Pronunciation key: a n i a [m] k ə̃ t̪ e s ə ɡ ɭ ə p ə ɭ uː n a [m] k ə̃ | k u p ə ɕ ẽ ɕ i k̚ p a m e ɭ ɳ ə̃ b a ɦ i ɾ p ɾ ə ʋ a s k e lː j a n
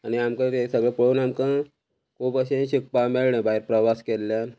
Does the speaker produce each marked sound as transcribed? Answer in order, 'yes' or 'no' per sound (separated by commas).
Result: yes, yes